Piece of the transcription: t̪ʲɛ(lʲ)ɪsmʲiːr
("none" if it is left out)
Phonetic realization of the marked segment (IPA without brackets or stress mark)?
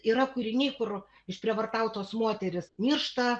ɾʲ